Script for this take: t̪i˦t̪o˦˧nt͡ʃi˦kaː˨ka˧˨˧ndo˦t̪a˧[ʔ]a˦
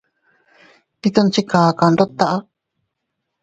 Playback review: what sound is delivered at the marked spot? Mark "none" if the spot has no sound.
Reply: ʔ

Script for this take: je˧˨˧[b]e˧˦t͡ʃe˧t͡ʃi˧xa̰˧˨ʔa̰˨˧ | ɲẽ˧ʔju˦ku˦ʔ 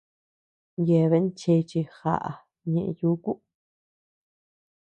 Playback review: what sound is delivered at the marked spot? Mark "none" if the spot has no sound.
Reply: β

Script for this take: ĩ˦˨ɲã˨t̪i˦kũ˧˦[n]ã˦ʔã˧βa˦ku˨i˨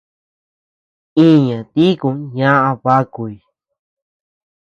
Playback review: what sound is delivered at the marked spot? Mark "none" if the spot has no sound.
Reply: ɲ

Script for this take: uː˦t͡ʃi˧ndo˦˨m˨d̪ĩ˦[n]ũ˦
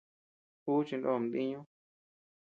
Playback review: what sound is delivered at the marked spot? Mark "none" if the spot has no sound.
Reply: ɲ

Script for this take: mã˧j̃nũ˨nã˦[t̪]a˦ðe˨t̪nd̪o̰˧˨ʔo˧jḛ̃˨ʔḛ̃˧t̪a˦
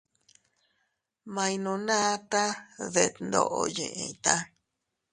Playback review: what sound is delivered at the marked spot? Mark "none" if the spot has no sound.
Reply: t̪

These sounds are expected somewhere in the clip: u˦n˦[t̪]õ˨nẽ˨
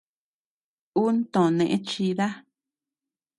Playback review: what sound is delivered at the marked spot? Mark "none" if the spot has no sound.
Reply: t̪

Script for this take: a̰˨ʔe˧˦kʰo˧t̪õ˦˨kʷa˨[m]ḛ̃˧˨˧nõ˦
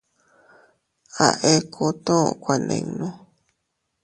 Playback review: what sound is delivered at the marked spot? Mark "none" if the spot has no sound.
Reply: n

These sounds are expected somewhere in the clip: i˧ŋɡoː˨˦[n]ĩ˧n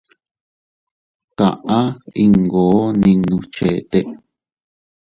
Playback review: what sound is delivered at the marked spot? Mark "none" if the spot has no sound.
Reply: n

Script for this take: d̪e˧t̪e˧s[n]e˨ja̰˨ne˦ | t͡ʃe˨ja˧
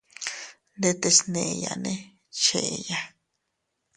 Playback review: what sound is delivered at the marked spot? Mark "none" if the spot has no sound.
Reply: n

